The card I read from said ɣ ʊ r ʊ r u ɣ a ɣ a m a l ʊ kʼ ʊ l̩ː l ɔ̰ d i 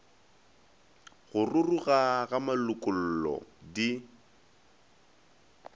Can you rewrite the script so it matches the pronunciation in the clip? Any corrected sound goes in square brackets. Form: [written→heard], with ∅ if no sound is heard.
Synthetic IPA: ɣ ʊ r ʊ r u ɣ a ɣ a m a l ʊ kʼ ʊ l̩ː l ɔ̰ d i